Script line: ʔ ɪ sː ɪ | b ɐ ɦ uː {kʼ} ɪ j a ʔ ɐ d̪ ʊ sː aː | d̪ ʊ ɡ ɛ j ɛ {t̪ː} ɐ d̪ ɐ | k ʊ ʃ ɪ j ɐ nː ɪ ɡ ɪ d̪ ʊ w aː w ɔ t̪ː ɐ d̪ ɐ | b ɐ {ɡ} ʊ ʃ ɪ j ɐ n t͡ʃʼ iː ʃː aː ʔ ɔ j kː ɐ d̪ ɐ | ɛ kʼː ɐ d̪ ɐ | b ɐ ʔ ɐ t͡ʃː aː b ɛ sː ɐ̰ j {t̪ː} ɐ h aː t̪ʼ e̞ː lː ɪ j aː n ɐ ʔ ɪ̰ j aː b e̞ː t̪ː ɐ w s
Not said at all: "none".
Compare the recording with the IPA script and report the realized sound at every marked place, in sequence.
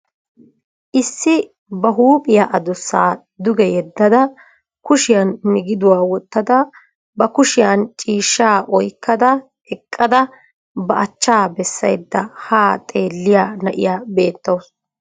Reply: pʼ, d̪ː, k, d̪ː

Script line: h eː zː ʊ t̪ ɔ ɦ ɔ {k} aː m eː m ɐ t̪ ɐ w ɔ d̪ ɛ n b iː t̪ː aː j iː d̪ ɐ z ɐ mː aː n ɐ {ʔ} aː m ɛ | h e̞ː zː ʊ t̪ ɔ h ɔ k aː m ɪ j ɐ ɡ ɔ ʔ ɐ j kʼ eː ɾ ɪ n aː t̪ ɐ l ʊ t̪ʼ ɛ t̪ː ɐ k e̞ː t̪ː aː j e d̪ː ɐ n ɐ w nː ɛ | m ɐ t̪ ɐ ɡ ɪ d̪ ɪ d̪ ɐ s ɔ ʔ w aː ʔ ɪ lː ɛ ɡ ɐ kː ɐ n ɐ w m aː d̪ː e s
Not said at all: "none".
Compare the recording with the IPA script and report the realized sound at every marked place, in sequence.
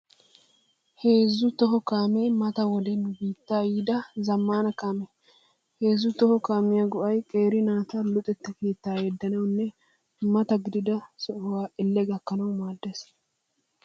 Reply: k, k

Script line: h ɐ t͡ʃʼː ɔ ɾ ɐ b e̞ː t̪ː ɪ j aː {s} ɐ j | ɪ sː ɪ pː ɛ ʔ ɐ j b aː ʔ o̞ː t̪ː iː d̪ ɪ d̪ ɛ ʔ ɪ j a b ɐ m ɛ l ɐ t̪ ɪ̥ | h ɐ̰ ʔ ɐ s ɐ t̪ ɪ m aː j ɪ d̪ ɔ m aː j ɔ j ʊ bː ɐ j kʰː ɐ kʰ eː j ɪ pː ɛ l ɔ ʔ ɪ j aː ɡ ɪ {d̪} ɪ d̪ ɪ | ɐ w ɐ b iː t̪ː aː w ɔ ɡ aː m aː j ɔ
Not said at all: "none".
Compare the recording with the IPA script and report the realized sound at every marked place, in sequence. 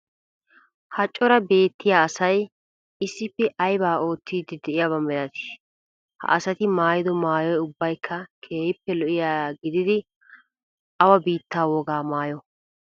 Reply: s, d̪

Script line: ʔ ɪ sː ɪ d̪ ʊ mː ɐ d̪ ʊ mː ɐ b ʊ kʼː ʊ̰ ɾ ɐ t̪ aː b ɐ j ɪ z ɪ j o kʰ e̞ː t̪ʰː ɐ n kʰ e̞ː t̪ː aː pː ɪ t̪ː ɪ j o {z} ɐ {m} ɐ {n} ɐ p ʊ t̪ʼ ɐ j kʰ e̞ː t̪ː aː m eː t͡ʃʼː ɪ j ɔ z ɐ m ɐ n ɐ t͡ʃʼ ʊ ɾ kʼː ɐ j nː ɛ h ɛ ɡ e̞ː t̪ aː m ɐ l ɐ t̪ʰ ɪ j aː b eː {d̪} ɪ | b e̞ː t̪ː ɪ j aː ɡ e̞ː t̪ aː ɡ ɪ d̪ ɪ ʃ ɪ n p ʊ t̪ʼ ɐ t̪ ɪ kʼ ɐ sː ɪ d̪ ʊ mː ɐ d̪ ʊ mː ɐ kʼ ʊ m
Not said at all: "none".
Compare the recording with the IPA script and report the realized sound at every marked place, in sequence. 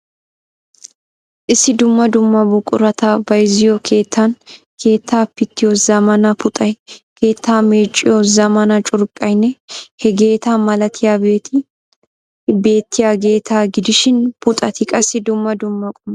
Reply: z, m, n, t̪

